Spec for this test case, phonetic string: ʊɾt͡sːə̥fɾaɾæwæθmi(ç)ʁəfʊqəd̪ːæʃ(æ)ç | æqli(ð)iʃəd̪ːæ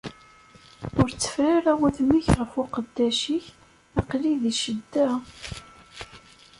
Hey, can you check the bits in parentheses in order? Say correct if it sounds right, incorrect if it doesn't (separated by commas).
correct, incorrect, correct